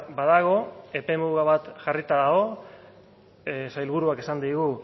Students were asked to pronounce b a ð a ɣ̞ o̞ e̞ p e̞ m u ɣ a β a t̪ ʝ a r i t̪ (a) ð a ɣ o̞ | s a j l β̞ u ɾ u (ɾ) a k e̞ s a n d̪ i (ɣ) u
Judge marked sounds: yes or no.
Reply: yes, no, yes

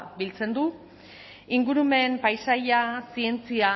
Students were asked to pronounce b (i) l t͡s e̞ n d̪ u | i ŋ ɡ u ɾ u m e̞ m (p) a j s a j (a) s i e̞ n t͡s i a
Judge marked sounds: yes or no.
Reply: yes, yes, yes

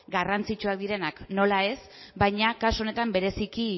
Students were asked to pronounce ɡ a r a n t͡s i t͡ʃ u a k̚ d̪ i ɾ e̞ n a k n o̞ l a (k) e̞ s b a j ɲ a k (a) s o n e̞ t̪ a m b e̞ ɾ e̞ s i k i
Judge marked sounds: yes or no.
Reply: no, yes

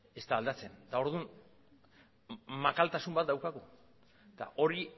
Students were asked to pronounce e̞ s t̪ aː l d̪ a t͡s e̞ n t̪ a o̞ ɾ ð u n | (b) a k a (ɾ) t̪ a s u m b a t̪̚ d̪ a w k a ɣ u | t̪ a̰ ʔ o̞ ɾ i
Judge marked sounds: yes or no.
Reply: no, no

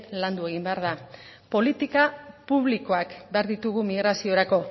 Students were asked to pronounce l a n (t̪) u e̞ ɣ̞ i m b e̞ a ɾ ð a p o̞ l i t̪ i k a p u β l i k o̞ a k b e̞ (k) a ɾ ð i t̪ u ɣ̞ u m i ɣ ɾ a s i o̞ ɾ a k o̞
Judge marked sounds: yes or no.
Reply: no, no

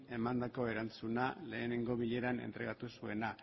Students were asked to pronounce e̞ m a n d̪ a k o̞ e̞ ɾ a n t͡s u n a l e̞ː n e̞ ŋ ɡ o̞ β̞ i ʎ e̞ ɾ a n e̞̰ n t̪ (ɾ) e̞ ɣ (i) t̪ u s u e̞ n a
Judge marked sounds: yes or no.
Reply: yes, no

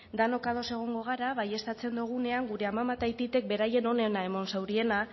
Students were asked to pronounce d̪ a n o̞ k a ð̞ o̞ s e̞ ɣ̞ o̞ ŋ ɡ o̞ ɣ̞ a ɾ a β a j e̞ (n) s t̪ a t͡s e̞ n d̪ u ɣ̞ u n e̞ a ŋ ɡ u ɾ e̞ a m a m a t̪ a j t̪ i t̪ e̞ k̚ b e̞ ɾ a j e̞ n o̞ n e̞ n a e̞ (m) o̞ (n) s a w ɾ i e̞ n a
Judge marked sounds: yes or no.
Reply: no, yes, yes

